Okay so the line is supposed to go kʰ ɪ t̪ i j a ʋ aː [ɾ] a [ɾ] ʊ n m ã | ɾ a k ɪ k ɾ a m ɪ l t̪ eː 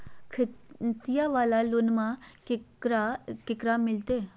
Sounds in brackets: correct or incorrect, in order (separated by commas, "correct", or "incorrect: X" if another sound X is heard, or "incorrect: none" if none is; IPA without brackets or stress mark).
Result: incorrect: l, incorrect: l